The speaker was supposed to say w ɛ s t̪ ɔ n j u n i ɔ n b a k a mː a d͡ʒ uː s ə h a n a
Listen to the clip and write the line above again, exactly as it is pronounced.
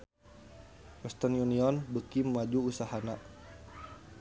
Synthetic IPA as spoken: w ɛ s t̪ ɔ n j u n i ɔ n b ə k i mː a d͡ʒ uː s a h a n a

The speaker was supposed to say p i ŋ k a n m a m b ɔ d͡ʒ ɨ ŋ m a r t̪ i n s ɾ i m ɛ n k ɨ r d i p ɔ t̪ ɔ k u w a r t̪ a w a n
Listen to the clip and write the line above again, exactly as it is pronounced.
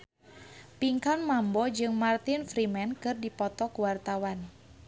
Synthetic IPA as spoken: p i ŋ k a n m a m b ɔ d͡ʒ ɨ ŋ m a r t̪ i n f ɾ i m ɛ n k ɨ r d i p ɔ t̪ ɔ k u w a r t̪ a w a n

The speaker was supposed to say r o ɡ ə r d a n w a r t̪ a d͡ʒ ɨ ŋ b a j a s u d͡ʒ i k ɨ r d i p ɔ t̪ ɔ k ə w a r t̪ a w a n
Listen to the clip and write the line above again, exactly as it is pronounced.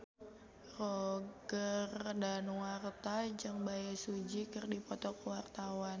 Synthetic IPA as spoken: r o ɡ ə r d a n w a r t̪ a d͡ʒ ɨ ŋ b a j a s u d͡ʒ i k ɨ r d i p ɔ t̪ ɔ k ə w a r t̪ a w a n

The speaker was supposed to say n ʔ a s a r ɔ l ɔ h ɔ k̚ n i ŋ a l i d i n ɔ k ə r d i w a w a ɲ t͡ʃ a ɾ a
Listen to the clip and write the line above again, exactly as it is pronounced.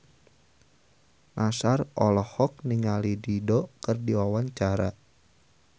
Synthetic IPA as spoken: n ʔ a s a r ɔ l ɔ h ɔ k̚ n i ŋ a l i d i d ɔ k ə r d i w a w a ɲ t͡ʃ a ɾ a

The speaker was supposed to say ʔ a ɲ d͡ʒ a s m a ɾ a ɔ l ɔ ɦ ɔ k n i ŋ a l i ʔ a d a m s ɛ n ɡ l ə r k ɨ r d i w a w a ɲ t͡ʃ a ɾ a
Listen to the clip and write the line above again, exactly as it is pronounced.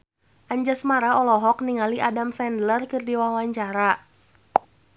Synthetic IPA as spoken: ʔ a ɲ d͡ʒ a s m a ɾ a ɔ l ɔ ɦ ɔ k n i ŋ a l i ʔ a d a m s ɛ n d l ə r k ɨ r d i w a w a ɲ t͡ʃ a ɾ a

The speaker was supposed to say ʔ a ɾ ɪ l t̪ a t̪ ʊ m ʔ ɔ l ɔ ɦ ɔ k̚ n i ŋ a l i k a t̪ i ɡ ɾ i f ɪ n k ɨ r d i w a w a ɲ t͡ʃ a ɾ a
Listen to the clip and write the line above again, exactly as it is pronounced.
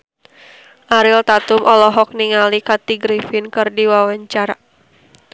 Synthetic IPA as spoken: ʔ a ɾ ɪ l t̪ a t̪ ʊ m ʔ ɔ l ɔ ɦ ɔ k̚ n i ŋ a l i k a t̪ i ɡ ɾ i f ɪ n k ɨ r d i w a w a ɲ t͡ʃ a ɾ a

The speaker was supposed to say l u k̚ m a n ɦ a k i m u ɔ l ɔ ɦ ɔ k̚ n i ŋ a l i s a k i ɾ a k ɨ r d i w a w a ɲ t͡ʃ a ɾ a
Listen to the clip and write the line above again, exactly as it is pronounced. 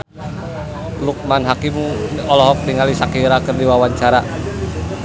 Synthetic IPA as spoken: l u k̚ m a n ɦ a k i m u ɔ l ɔ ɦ ɔ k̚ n i ŋ a l i s a k i ɾ a k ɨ r d i w a w a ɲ t͡ʃ a ɾ a

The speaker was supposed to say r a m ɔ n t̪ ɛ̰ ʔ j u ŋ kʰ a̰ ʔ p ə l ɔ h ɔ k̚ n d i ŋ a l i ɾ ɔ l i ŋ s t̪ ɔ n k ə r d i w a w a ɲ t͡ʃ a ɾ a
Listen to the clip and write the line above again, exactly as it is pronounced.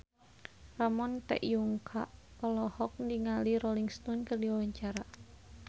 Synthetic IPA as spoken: r a m ɔ n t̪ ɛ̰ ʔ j u ŋ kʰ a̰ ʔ p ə l ɔ h ɔ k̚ n d i ŋ a l i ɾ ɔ l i ŋ s t̪ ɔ n k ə r d i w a w a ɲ t͡ʃ a ɾ a

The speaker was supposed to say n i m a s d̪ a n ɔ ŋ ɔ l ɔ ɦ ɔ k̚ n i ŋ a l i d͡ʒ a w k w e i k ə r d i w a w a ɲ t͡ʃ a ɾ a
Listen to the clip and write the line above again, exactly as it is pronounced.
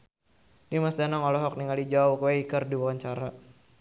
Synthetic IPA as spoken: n i m a s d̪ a n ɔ ŋ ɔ l ɔ ɦ ɔ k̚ n i ŋ a l i d͡ʒ a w k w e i k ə r d i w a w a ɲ t͡ʃ a ɾ a

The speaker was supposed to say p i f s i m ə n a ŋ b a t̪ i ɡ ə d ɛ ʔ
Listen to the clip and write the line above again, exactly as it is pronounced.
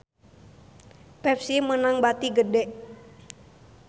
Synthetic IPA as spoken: p ɛ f s i m ə n a ŋ b a t̪ i ɡ ə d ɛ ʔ

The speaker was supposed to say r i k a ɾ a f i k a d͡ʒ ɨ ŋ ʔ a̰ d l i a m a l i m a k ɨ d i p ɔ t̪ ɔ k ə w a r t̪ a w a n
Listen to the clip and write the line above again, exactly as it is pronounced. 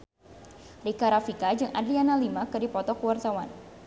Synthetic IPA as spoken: r i k a ɾ a f i k a d͡ʒ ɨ ŋ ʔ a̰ d l i a n a l i m a k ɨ d i p ɔ t̪ ɔ k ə w a r t̪ a w a n

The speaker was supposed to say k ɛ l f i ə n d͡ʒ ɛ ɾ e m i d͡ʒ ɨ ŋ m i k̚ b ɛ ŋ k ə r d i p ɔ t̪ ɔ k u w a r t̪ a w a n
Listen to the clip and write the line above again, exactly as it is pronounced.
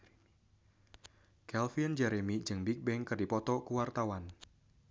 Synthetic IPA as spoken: k ɛ l f i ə n d͡ʒ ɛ ɾ e m i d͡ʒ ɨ ŋ b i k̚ b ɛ ŋ k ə r d i p ɔ t̪ ɔ k u w a r t̪ a w a n

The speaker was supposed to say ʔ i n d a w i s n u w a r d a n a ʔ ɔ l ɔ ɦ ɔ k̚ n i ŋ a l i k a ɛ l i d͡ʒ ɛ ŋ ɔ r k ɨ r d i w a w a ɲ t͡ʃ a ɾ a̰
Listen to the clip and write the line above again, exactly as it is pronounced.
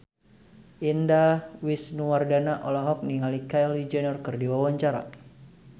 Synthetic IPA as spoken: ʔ i n d a w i s n u w a r d a n a ʔ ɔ l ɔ ɦ ɔ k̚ n i ŋ a l i k a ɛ l i d͡ʒ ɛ n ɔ r k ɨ r d i w a w a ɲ t͡ʃ a ɾ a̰

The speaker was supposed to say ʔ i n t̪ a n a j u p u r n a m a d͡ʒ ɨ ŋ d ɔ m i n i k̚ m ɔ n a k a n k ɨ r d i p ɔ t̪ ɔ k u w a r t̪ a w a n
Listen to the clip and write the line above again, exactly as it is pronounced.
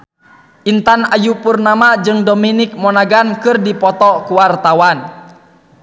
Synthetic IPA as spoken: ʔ i n t̪ a n a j u p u r n a m a d͡ʒ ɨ ŋ d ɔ m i n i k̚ m ɔ n a ɡ a n k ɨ r d i p ɔ t̪ ɔ k u w a r t̪ a w a n

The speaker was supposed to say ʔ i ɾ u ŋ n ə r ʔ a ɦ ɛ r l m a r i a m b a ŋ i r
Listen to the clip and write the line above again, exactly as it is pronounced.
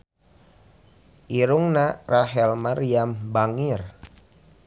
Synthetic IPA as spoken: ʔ i ɾ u ŋ n a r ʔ a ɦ ɛ l m a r i a m b a ŋ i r

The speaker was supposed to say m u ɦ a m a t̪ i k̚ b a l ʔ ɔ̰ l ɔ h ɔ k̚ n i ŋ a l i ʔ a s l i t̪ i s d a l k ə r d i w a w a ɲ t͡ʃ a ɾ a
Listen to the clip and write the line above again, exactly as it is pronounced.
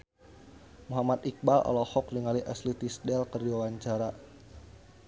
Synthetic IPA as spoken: m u ɦ a m a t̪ i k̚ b a l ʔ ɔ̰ l ɔ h ɔ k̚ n i ŋ a l i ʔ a s l i t̪ i s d ɛ l k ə r d i w a w a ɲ t͡ʃ a ɾ a

